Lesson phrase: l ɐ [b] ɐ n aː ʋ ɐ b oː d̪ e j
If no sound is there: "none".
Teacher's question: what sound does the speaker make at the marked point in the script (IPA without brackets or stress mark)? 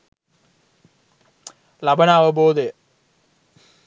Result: b